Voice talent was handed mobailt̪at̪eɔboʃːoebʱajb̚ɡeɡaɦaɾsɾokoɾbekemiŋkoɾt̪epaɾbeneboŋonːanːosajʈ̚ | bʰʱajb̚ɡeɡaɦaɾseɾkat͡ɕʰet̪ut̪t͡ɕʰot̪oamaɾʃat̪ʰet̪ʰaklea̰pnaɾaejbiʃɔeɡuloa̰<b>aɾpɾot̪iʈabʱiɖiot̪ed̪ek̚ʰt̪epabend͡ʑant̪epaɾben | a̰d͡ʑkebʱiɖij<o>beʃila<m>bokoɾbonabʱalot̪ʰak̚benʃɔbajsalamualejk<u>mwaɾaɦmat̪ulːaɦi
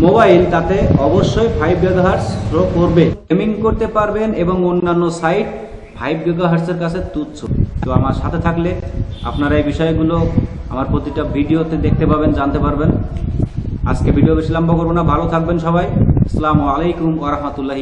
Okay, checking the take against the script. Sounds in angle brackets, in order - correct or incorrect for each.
incorrect, correct, correct, correct

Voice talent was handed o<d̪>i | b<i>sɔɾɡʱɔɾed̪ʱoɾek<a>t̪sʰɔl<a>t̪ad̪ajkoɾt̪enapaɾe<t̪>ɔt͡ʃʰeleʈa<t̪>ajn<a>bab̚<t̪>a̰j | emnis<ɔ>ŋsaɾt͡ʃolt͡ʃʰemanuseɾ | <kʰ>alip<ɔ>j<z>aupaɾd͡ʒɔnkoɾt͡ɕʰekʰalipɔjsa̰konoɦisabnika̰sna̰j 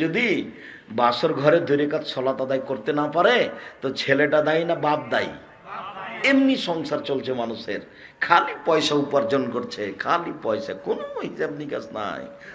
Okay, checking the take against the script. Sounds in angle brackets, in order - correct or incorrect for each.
correct, incorrect, correct, correct, correct, incorrect, correct, incorrect, correct, correct, correct, incorrect

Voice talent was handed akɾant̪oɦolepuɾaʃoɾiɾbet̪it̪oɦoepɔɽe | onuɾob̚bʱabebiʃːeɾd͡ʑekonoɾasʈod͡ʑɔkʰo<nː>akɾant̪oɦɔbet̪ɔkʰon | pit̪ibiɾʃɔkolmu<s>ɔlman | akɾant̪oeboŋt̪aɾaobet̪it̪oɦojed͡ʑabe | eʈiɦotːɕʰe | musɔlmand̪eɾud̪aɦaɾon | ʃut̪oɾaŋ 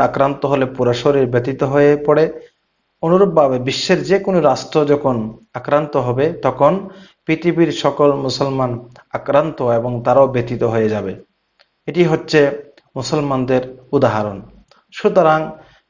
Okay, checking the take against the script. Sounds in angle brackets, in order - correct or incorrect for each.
incorrect, correct

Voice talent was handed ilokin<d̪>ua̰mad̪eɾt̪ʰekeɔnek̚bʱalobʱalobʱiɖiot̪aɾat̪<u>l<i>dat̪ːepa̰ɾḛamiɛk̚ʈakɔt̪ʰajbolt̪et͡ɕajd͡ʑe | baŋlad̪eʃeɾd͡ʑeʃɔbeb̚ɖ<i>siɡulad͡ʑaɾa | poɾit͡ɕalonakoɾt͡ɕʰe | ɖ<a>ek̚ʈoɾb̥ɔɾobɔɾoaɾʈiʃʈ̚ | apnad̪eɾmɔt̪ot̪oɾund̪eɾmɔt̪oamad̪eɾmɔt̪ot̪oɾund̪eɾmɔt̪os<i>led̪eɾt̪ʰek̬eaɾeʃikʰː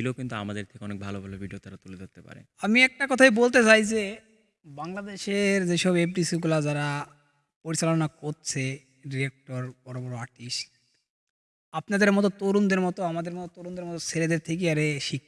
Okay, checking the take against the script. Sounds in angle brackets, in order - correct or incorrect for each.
incorrect, correct, incorrect, correct, incorrect, incorrect

